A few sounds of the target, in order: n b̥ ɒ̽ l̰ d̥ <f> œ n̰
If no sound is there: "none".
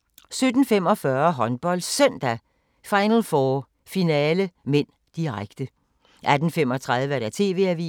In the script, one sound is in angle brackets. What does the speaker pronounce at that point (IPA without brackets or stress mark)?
s